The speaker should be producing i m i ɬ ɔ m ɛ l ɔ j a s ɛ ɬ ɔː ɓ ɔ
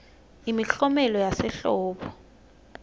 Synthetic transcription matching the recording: i m i ɬ ɔ m ɛ l ɔ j a s ɛ ɬ ɔː ɓ ɔ